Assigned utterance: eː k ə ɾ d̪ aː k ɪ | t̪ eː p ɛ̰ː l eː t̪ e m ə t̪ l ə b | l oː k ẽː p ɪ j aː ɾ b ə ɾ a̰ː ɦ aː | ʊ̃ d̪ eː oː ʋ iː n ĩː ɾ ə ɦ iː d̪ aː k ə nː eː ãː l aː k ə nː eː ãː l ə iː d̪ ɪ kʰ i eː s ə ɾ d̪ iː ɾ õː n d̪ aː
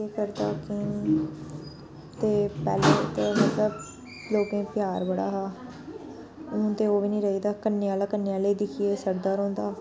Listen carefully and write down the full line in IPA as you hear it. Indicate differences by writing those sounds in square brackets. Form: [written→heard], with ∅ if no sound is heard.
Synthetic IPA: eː k ə ɾ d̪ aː k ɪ | t̪ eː p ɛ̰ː l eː t̪ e m ə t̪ l ə b | l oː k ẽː p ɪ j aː ɾ b ə [ɾ→ɽ] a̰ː ɦ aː | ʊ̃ [d̪→t̪] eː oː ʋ iː n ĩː ɾ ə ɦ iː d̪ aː k ə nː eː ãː l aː k ə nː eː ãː l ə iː d̪ ɪ kʰ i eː s ə ɾ d̪ [iː→aː] ɾ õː n d̪ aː